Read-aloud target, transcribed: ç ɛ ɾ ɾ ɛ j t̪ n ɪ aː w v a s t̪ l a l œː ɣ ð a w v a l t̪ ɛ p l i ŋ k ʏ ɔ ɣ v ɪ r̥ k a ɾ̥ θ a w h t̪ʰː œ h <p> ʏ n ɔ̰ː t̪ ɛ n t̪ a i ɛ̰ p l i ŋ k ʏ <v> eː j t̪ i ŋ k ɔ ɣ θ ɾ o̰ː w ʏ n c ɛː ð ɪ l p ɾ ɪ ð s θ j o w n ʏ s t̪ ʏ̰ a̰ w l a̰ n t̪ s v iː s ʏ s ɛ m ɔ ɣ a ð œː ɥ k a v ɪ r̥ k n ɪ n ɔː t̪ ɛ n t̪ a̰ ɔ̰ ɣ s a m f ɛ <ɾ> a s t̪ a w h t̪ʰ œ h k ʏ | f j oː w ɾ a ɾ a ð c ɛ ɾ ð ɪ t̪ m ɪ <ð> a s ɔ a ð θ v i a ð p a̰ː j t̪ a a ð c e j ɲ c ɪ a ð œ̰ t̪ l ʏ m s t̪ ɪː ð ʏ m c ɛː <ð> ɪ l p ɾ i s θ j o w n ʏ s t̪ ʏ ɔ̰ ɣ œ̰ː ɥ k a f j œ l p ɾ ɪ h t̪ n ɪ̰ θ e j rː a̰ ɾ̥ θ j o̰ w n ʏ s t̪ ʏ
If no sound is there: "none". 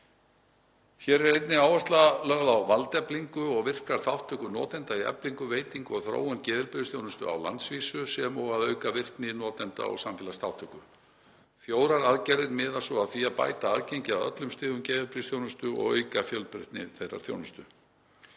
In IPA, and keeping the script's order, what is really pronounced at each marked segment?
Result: k, v, l, ð, ð

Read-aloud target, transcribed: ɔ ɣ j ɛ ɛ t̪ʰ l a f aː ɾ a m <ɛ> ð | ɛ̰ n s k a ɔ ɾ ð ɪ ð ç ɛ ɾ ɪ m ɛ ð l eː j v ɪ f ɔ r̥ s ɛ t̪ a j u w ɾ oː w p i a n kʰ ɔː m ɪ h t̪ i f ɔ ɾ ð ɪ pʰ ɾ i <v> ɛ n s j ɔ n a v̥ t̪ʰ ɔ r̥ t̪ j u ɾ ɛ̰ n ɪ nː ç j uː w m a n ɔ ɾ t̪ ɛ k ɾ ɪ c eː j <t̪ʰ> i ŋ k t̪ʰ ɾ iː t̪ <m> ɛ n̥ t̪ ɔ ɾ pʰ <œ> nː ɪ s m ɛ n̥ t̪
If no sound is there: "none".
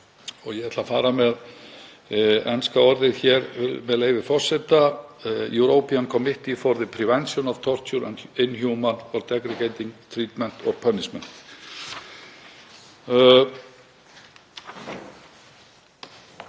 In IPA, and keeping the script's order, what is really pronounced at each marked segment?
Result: ɛ, v, t̪, m, œ

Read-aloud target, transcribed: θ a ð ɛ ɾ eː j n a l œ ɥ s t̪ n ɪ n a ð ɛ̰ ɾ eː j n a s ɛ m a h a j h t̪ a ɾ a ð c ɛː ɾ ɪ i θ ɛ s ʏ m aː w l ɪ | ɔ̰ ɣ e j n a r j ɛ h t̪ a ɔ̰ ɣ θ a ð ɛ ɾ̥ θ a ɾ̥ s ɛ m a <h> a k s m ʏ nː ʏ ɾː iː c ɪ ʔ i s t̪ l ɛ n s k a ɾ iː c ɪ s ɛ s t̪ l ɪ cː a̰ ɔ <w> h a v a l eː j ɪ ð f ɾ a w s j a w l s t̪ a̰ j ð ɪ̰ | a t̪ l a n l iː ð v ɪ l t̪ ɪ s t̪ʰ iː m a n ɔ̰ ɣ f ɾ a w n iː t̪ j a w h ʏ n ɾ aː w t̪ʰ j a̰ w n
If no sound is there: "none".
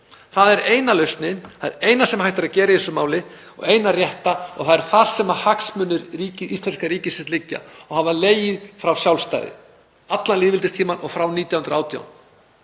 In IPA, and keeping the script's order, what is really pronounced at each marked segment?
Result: h, ɣ

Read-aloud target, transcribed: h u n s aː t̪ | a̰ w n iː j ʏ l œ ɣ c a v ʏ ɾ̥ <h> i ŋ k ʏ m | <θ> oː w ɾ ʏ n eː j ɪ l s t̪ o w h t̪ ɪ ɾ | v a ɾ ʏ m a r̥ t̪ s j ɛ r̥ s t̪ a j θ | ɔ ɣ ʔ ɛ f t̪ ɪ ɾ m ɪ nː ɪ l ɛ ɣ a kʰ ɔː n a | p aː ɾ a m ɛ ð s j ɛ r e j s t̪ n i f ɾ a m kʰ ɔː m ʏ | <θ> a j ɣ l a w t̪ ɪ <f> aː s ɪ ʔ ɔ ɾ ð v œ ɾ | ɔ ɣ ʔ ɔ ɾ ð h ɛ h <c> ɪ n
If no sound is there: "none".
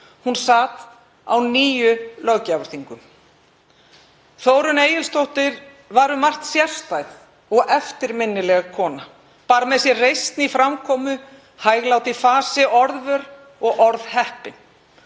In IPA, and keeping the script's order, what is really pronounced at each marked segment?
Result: θ, θ, h, f, p

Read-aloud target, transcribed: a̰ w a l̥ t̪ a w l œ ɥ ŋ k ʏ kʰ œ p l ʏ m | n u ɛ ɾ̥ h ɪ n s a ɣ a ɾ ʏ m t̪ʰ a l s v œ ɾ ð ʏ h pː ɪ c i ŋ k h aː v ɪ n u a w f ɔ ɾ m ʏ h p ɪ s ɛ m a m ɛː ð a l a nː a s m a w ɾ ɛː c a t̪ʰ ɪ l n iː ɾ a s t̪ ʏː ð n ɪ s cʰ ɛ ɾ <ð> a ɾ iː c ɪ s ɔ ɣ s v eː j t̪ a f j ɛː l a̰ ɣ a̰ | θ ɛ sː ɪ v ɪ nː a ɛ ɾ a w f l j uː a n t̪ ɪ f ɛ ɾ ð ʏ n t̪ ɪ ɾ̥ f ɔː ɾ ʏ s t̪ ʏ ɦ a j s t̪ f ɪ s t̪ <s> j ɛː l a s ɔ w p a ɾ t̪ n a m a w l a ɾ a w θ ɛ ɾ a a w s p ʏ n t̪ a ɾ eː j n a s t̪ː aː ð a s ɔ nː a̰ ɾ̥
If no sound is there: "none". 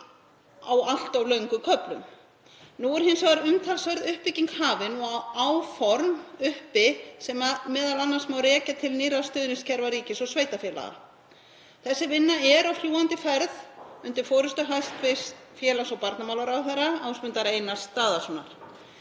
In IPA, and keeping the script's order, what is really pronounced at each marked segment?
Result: v, f

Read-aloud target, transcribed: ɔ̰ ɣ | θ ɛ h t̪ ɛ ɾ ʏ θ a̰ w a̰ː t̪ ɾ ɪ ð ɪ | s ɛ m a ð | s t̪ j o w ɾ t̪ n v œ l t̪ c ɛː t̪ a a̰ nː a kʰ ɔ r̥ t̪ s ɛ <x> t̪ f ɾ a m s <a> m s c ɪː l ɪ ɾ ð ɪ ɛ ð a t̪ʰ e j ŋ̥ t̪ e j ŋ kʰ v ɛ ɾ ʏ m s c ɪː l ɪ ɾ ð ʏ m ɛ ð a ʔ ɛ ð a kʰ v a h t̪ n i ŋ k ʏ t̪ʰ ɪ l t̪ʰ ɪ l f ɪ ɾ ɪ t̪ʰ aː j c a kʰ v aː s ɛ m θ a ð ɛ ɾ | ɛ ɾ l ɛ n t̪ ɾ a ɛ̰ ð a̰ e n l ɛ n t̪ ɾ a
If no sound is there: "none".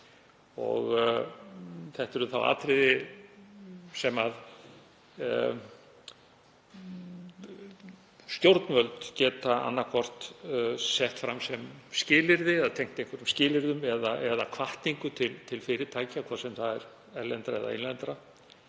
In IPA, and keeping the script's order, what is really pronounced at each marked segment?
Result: h, ɛ

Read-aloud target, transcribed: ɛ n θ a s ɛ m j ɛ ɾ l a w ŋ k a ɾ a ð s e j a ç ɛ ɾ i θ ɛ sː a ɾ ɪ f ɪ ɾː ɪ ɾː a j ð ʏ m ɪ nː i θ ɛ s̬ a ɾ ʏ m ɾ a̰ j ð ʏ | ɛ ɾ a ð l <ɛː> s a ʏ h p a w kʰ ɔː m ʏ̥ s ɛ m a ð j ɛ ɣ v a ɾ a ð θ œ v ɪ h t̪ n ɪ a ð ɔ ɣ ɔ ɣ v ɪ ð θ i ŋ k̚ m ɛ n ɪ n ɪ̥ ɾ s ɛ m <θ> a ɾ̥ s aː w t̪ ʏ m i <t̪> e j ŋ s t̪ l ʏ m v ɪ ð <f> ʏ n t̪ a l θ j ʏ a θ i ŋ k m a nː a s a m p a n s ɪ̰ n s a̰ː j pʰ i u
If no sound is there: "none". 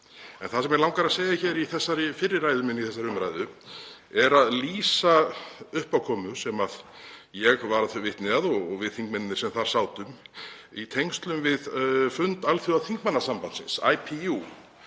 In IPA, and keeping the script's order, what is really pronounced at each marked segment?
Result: iː, θ, t̪ʰ, f

